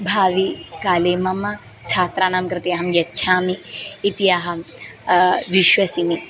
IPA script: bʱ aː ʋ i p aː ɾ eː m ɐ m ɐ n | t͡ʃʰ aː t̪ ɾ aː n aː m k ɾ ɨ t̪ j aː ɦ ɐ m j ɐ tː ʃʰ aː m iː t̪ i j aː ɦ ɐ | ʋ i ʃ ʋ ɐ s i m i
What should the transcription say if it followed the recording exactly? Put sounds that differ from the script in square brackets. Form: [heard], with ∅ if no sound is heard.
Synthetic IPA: bʱ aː ʋ i [k] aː [l] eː m ɐ m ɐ [∅] | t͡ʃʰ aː t̪ ɾ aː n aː m k ɾ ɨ t̪ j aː ɦ ɐ m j ɐ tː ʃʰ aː m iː t̪ i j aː ɦ ɐ | ʋ i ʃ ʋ ɐ s i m i